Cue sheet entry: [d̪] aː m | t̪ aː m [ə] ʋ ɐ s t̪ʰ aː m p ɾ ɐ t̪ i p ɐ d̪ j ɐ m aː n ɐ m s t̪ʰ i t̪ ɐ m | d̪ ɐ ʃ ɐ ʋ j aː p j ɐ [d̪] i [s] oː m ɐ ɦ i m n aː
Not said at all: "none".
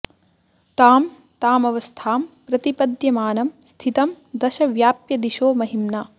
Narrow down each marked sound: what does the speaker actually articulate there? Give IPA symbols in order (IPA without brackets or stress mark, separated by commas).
t̪, ɐ, d̪, ʃ